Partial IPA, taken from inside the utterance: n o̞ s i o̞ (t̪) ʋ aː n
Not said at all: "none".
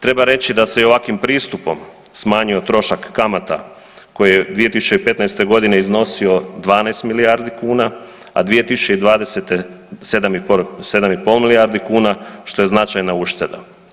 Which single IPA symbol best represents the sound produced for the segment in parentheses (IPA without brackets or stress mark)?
d̪